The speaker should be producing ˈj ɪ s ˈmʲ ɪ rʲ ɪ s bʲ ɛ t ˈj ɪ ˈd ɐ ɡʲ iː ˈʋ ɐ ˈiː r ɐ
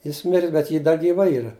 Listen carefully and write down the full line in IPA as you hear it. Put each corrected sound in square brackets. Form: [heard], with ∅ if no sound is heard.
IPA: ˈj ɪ s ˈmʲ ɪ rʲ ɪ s bʲ ɛ t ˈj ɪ ˈd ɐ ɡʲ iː ˈʋ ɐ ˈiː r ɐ